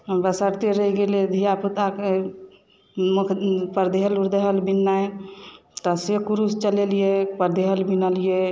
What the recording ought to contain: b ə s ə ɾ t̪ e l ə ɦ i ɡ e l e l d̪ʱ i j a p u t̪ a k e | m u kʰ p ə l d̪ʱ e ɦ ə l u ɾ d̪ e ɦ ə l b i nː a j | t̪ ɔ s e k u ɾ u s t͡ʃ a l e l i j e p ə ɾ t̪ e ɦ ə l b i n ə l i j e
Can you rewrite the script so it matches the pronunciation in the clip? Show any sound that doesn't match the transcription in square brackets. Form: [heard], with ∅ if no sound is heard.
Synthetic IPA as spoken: b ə s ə ɾ t̪ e [ɾ] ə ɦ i ɡ e l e [∅] d̪ʱ i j a p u t̪ a k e | m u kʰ p ə [ɾ] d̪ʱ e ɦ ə l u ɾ d̪ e ɦ ə l b i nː a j | t̪ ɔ s e k u ɾ u s t͡ʃ [ə] l e l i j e p ə ɾ [d̪] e ɦ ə l b i n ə l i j e